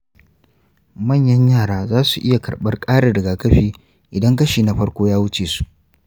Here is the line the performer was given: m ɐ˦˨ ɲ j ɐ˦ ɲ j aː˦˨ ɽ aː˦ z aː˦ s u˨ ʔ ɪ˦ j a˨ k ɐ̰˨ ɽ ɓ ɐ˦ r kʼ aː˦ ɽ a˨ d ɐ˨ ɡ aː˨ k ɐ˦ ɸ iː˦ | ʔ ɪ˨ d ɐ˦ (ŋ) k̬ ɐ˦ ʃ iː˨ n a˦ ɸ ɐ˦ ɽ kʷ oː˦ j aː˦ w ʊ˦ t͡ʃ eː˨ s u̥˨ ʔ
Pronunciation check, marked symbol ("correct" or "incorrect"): correct